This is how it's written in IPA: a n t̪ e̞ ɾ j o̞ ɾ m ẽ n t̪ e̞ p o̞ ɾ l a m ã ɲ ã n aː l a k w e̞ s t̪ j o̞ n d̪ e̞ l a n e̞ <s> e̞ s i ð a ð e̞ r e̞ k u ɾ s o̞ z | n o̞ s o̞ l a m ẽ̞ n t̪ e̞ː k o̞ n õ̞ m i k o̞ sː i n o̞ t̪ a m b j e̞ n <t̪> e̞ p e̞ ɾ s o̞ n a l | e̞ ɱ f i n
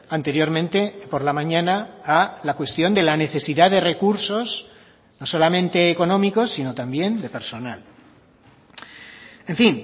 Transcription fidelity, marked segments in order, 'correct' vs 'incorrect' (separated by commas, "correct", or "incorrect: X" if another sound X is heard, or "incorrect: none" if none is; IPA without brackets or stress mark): incorrect: θ, incorrect: d̪